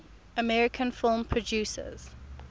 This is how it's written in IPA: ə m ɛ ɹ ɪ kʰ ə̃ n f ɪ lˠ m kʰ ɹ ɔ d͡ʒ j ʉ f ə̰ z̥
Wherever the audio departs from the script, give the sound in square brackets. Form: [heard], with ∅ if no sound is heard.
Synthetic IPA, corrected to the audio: ə m ɛ ɹ ɪ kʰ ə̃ n f ɪ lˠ m [pʰ] ɹ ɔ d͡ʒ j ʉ [s] ə̰ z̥